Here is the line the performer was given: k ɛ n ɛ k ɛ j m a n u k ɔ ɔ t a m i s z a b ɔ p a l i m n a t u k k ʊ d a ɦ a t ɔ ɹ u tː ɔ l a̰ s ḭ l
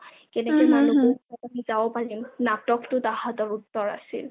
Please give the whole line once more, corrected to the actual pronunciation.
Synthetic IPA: k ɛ n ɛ k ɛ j m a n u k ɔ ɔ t a m i z a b ɔ p a l i m n a t ɔ k t ʊ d a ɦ a t ɔ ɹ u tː ɔ ɹ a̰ s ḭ l